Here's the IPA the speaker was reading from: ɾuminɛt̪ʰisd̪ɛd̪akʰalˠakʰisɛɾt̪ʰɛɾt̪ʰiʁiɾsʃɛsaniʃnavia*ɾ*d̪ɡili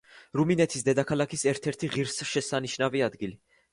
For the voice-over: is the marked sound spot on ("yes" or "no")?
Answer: no